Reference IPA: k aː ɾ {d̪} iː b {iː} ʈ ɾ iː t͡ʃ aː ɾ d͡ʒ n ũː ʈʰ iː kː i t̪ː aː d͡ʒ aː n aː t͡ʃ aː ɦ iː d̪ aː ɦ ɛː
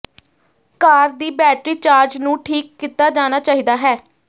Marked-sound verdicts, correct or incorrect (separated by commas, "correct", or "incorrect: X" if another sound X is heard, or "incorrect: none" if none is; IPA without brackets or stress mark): correct, incorrect: ɛː